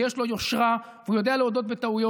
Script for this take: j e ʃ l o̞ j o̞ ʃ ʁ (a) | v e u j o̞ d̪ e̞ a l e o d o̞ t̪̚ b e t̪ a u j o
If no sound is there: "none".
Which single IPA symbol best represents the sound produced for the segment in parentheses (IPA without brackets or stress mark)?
a